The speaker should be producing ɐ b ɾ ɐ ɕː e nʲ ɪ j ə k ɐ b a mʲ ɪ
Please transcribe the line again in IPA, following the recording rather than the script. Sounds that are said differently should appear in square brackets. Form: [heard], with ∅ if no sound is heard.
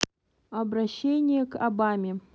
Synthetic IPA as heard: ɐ b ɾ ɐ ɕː e nʲ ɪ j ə k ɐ b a mʲ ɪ

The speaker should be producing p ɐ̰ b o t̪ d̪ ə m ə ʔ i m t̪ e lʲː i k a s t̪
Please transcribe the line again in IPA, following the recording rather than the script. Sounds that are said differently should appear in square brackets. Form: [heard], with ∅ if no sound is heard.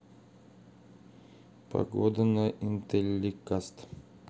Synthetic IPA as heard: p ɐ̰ [ɡ] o [∅] d̪ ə [n] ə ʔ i [n] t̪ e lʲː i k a s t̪

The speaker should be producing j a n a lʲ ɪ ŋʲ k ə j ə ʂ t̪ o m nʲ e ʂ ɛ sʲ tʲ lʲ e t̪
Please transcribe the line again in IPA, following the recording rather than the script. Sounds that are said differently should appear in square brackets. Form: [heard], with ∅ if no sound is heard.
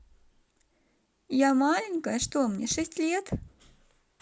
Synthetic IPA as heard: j a [m] a lʲ ɪ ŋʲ k ə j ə ʂ t̪ o m nʲ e ʂ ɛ sʲ tʲ lʲ e t̪

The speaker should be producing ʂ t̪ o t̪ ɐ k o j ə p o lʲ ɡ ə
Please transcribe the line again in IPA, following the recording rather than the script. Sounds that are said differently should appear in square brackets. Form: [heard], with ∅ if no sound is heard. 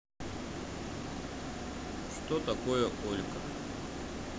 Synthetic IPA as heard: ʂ t̪ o t̪ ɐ k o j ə [k] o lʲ [k] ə

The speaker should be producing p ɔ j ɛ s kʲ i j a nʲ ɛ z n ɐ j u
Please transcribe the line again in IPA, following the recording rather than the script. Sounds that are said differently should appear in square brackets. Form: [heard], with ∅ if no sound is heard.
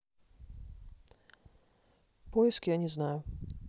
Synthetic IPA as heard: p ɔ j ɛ s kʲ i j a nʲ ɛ z n [a] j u

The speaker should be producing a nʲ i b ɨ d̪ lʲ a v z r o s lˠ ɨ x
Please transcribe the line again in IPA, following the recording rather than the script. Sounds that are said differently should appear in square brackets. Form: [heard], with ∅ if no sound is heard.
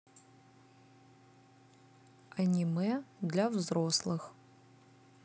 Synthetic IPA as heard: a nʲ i [m] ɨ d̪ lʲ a v z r o s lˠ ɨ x

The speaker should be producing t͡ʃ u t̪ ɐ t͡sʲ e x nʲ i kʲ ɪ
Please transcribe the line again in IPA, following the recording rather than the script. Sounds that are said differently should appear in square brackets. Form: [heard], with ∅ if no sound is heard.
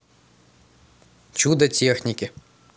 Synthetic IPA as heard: t͡ʃ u [d̪] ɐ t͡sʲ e x nʲ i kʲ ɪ

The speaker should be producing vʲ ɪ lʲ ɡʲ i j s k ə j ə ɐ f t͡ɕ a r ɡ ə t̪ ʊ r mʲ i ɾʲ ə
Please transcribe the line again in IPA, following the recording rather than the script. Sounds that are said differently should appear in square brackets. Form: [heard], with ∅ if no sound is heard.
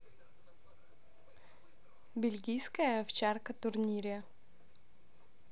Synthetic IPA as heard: [bʲ] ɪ lʲ ɡʲ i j s k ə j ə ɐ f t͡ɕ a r [k] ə t̪ ʊ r [nʲ] i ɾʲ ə

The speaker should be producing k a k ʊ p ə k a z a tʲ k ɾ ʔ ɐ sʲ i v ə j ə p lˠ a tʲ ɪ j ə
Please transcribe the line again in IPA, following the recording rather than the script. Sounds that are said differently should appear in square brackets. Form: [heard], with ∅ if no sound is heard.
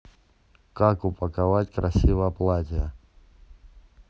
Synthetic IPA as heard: k a k ʊ p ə k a [v] a tʲ k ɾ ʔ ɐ sʲ i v ə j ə p lˠ a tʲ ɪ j ə

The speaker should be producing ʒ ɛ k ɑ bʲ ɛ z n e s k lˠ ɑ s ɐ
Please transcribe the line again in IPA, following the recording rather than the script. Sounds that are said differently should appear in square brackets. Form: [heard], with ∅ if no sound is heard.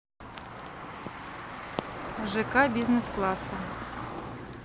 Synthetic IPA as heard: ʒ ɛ k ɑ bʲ [i] z n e s k lˠ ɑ s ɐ

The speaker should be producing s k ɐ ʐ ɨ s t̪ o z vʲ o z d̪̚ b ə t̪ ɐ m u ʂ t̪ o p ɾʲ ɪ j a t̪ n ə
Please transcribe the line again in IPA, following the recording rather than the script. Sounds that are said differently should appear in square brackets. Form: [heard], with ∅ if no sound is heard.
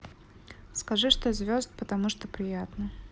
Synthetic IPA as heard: s k ɐ ʐ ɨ [ʂ] t̪ o z vʲ o z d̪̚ [p] ə t̪ ɐ m u ʂ t̪ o p ɾʲ ɪ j a t̪ n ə

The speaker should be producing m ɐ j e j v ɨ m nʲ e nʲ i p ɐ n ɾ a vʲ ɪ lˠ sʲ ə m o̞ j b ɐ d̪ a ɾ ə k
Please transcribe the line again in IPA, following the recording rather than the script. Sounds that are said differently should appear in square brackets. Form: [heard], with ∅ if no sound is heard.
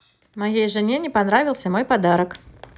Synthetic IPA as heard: m ɐ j e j [ʐ] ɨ [∅] nʲ e nʲ [ɪ] p ɐ n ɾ a vʲ ɪ lˠ sʲ ə m o̞ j [p] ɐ d̪ a ɾ ə k

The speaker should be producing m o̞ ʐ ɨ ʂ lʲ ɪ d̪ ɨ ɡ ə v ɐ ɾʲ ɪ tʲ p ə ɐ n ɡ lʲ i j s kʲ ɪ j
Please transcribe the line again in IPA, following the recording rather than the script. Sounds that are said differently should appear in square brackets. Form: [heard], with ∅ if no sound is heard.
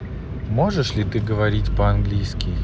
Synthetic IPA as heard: m o̞ ʐ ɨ ʂ lʲ ɪ [t̪] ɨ ɡ ə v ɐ ɾʲ [i] tʲ p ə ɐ n ɡ lʲ i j s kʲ ɪ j

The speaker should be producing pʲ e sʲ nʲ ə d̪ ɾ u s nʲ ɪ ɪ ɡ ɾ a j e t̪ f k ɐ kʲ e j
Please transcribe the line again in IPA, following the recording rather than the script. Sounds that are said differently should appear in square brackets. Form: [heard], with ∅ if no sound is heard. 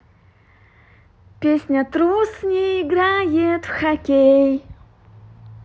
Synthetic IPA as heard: pʲ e sʲ nʲ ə [t̪] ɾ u s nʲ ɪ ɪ ɡ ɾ a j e t̪ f [x] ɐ kʲ e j

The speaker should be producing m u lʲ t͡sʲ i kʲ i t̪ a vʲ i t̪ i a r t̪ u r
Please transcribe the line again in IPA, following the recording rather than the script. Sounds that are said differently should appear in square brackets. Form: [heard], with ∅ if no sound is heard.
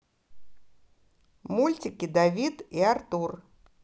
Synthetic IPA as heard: m u lʲ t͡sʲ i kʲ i [d̪] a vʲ i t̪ i a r t̪ u r

